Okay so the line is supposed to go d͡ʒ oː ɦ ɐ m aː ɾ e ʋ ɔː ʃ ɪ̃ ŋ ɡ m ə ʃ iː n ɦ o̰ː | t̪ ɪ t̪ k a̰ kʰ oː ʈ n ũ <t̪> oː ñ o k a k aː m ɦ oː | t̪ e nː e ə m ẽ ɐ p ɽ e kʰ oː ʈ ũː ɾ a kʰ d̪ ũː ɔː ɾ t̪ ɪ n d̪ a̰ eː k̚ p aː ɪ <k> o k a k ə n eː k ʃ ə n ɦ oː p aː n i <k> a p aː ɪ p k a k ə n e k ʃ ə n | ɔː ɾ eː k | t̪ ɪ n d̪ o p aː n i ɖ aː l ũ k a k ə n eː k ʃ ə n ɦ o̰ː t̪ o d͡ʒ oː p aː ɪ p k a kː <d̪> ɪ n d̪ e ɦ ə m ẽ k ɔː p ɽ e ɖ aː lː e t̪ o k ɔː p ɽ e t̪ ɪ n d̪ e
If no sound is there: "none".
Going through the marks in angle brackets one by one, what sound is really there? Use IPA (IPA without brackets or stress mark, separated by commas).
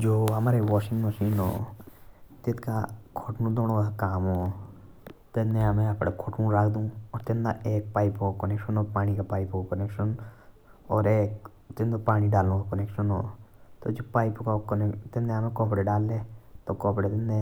d̪, p, k, t̪